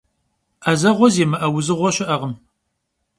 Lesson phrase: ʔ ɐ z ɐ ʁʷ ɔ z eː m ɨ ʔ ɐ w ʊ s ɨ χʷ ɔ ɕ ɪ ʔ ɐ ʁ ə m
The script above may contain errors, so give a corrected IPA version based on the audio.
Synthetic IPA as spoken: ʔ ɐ z ɐ ʁʷ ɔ z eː m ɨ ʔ ɐ w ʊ z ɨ ʁʷ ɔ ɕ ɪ ʔ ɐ ʁ ə m